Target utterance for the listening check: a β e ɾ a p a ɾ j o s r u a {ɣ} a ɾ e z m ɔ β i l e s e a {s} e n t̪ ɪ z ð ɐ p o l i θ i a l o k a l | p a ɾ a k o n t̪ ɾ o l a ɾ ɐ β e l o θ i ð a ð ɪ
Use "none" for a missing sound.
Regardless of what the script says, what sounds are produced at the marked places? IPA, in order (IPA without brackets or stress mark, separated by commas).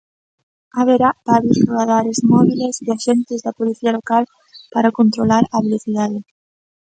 ð, ʃ